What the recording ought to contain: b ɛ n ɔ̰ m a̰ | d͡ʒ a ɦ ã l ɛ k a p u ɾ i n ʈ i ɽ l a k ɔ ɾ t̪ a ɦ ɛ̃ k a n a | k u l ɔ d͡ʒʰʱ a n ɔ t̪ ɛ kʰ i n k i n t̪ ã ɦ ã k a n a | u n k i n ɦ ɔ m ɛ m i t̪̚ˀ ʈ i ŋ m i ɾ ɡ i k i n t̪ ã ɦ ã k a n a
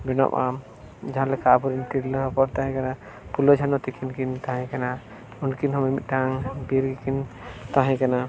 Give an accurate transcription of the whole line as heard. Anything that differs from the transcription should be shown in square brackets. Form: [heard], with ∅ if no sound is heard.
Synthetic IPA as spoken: b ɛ n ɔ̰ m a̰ | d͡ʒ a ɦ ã l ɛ k a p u ɾ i n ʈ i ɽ l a [p] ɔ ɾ t̪ a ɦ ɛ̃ k a n a | [p] u l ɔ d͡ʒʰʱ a n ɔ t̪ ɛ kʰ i n k i n t̪ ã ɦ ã k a n a | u n k i n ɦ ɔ m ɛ m i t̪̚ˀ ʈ [a] ŋ [b] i ɾ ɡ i k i n t̪ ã ɦ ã k a n a

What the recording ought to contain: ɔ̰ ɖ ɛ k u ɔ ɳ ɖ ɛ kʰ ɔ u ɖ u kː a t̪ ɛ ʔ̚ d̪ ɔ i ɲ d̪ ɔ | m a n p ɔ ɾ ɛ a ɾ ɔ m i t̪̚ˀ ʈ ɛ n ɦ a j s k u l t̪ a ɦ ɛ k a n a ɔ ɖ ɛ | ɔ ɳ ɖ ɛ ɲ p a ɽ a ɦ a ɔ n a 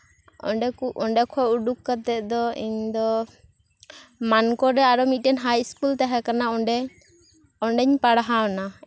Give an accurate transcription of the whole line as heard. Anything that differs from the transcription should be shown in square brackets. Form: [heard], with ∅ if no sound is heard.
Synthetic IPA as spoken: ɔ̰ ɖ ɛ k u ɔ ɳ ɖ ɛ kʰ ɔ u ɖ u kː a t̪ ɛ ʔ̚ d̪ ɔ i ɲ d̪ ɔ | m a n [k] ɔ ɾ ɛ a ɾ ɔ m i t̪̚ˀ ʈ ɛ n ɦ a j s k u l t̪ a ɦ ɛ k a n a ɔ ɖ ɛ | ɔ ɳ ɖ ɛ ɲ p a ɽ a ɦ a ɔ n a

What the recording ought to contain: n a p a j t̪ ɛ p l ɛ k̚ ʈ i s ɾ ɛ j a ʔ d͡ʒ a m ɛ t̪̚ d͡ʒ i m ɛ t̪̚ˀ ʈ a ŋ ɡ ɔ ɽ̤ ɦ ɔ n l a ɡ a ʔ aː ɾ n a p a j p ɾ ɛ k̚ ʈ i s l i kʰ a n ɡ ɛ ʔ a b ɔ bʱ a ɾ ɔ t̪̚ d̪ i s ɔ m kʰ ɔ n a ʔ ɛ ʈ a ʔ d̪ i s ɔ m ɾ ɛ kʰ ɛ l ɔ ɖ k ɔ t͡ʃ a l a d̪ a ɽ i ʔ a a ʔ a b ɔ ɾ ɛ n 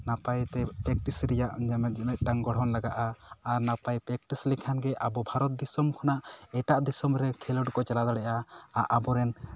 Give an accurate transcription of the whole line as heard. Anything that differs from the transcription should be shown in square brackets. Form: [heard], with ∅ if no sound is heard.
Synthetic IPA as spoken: n a p a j t̪ ɛ p [ɾ] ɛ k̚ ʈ i s ɾ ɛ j a ʔ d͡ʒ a m ɛ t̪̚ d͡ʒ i m ɛ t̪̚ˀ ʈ a ŋ ɡ ɔ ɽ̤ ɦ ɔ n l a ɡ a ʔ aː ɾ n a p a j p ɾ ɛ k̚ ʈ i s l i kʰ a n ɡ ɛ ʔ a b ɔ bʱ a ɾ ɔ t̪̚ d̪ i s ɔ m kʰ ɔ n a ʔ ɛ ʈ a ʔ d̪ i s ɔ m ɾ ɛ kʰ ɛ l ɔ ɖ k ɔ t͡ʃ a l a d̪ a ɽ [ɛ] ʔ a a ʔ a b ɔ ɾ ɛ n

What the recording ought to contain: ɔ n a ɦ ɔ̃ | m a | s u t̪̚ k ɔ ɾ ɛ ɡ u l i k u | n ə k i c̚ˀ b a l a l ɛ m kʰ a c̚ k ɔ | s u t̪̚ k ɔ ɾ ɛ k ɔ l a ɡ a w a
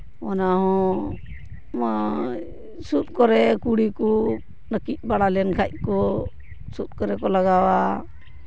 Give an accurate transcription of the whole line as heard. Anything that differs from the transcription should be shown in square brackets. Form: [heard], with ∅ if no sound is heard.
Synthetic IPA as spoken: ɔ n a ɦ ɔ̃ | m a | s u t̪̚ k ɔ ɾ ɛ [k] u [ɽ] i k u | n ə k i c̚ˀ b a [ɽ] a l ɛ [n] kʰ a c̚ k ɔ | s u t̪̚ k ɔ ɾ ɛ k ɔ l a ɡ a w a

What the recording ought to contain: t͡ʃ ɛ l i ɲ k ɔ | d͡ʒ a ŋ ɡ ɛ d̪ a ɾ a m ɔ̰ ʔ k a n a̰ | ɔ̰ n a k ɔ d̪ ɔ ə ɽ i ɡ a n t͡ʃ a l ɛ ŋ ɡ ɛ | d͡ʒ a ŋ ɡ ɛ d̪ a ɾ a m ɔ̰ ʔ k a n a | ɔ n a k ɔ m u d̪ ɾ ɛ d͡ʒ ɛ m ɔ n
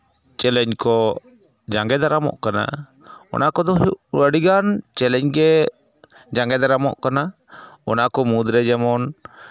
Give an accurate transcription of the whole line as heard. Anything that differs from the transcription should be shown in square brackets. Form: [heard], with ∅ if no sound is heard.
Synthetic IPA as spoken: t͡ʃ ɛ l [ɛ] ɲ k ɔ | d͡ʒ a ŋ ɡ ɛ d̪ a ɾ a m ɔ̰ ʔ k a n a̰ | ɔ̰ n a k ɔ d̪ ɔ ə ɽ i ɡ a n t͡ʃ [ɛ] l ɛ [ɲ] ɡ ɛ | d͡ʒ a ŋ ɡ ɛ d̪ a ɾ a m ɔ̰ ʔ k a n a | ɔ n a k ɔ m u d̪ ɾ ɛ d͡ʒ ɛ m ɔ n

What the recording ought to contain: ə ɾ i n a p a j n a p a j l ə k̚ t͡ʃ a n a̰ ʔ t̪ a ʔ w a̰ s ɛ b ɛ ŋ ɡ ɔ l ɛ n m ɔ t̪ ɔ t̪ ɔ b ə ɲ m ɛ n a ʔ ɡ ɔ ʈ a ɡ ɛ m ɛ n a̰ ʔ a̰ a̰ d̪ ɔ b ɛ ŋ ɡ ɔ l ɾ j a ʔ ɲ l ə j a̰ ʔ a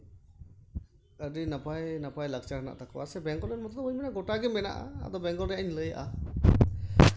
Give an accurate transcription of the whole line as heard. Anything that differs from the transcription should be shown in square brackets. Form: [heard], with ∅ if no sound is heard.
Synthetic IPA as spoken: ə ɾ i n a p a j n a p a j l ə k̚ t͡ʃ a n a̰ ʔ t̪ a [k] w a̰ s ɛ b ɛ ŋ ɡ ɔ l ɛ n m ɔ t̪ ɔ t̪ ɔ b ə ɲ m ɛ n a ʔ ɡ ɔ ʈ a ɡ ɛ m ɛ n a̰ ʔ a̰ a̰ d̪ ɔ b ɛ ŋ ɡ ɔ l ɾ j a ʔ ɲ l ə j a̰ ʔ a

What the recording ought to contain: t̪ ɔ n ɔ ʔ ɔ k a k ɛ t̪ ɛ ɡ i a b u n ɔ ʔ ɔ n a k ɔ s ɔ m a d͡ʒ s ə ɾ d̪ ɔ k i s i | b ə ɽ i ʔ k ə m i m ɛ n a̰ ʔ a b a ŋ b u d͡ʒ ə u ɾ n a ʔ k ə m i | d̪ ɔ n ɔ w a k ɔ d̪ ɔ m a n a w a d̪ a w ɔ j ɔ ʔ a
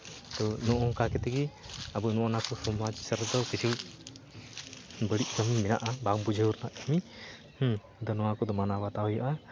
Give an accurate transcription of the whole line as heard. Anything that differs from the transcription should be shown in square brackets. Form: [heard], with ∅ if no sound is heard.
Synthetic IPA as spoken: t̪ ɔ n ɔ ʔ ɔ k a k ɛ t̪ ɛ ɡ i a b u n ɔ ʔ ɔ n a k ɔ s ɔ m a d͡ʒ s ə ɾ d̪ ɔ k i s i | b ə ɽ i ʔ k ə m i m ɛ n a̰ ʔ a b a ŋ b u d͡ʒ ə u ɾ n a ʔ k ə m i | d̪ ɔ n ɔ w a k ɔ d̪ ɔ m a n a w a [t̪] a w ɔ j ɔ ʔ a

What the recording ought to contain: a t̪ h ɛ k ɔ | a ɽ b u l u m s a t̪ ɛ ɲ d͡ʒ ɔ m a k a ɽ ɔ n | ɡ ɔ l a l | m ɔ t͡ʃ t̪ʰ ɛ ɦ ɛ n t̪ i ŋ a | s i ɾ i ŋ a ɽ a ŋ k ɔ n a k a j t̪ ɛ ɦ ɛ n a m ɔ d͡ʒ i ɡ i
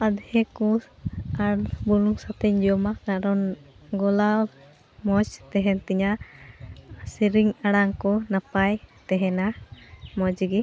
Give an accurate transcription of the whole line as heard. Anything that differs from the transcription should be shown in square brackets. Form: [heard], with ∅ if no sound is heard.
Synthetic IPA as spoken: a [d̪] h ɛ k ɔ | a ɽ b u l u [ŋ] s a t̪ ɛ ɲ d͡ʒ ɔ m a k a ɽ ɔ n | ɡ ɔ l a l | m ɔ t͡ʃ [t̪] ɛ ɦ ɛ n t̪ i [ɲ] a | s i ɾ i ŋ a ɽ a ŋ k ɔ n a [p] a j t̪ ɛ ɦ ɛ n a m ɔ d͡ʒ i ɡ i

